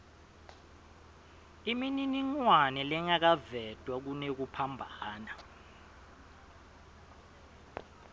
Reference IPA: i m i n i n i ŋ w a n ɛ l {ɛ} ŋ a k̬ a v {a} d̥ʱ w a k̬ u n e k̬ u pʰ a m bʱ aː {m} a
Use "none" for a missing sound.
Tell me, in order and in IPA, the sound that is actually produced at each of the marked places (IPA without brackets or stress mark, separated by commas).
ɛ, ɛ, n